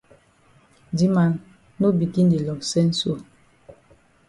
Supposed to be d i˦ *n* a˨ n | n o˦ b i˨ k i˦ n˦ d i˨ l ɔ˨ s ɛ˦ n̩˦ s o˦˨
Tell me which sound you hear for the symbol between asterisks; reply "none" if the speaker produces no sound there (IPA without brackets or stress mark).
m